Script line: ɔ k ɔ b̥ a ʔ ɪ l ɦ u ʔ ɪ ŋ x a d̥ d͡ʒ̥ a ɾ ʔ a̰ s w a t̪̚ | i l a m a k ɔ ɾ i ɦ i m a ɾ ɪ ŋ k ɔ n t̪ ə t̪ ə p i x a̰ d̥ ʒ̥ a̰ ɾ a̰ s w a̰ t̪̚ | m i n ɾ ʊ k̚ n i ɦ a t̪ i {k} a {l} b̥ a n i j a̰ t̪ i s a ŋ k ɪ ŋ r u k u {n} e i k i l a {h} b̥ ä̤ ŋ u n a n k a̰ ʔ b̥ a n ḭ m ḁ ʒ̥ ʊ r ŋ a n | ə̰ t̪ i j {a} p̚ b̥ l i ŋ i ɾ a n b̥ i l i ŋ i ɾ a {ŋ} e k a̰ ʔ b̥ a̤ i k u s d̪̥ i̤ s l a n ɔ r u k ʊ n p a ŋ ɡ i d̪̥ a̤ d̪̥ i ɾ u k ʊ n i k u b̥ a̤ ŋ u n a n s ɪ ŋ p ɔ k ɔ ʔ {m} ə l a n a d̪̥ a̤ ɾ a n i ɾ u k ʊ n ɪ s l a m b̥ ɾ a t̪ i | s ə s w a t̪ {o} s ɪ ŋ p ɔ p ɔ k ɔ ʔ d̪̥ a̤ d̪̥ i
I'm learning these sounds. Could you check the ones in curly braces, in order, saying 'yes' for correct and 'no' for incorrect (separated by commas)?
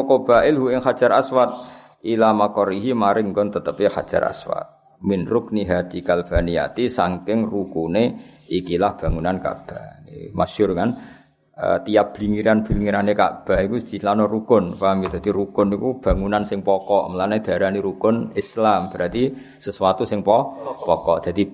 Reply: yes, yes, yes, yes, yes, no, yes, no